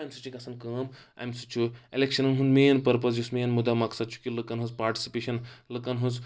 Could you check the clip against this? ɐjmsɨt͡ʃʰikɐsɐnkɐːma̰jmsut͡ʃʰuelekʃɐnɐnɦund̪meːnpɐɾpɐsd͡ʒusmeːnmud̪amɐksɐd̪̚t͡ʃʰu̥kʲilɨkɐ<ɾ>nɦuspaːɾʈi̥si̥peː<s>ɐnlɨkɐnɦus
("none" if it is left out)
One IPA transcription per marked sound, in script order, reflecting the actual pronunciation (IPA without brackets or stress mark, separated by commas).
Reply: none, ʃ